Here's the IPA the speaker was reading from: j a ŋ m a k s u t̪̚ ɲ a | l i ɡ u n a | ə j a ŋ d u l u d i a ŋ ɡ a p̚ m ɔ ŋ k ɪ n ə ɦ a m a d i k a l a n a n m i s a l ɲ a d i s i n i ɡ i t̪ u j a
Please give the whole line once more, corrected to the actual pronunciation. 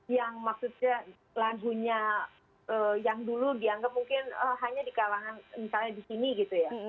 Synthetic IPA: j a ŋ m a k s u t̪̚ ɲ a | l a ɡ u ɲ a | ə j a ŋ d u l u d i a ŋ ɡ a p̚ m u ŋ k ɪ n ə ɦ a ɲ a d i k a l a ŋ a n m i s a l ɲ a d i s i n i ɡ i t̪ u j a